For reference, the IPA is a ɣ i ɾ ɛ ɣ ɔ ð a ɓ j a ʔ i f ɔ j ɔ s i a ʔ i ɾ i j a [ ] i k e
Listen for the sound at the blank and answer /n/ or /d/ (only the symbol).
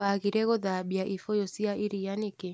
n